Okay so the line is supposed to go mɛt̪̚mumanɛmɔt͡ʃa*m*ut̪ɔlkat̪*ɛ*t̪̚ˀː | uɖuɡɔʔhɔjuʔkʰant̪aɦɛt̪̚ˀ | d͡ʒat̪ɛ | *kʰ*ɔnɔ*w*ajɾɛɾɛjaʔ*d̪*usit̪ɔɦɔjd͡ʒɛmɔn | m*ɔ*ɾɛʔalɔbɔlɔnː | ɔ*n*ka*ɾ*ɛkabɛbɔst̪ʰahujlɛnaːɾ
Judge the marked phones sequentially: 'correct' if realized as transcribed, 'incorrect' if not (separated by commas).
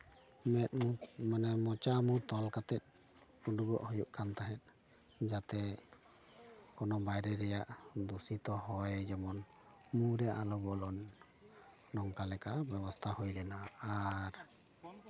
correct, correct, incorrect, incorrect, correct, incorrect, incorrect, incorrect